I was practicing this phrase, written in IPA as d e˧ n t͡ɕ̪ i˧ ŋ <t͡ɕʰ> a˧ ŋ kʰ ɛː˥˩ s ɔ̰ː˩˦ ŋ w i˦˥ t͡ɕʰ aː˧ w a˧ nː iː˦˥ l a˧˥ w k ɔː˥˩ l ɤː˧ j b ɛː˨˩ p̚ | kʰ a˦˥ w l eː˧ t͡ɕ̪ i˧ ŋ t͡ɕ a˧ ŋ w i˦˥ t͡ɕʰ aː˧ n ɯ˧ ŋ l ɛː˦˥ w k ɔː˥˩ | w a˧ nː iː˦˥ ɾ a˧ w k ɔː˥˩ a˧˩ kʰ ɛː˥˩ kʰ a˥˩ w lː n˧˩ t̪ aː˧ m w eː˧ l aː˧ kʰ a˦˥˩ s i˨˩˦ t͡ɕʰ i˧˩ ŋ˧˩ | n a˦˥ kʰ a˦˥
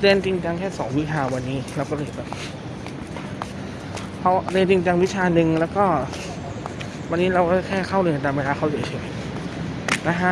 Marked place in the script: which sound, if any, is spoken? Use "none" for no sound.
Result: t͡ɕ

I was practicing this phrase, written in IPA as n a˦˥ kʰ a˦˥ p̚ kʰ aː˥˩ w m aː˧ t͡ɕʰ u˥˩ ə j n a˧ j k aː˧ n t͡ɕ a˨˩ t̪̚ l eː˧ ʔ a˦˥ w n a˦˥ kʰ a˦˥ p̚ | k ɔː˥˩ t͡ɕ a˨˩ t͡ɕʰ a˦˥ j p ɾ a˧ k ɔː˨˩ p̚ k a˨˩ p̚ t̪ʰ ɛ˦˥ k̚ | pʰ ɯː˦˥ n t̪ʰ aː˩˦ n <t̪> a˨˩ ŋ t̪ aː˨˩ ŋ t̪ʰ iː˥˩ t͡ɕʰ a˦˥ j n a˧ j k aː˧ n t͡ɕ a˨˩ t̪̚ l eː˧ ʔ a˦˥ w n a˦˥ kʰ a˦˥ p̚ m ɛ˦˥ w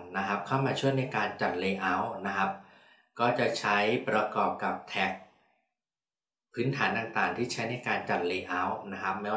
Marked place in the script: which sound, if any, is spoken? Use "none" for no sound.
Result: t̪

